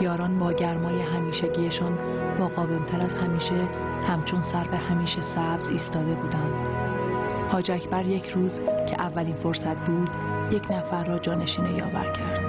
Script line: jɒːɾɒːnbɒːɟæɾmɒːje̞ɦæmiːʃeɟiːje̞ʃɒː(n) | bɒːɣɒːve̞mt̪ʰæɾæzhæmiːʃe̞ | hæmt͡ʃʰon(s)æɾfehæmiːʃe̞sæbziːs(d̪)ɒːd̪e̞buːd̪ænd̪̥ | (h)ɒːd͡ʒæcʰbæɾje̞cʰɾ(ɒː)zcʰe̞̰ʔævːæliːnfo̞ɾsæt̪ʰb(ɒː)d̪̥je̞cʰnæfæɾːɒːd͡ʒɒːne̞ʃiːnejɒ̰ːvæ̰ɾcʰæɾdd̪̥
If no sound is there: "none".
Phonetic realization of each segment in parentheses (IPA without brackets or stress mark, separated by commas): n, s, t̪, h, uː, uː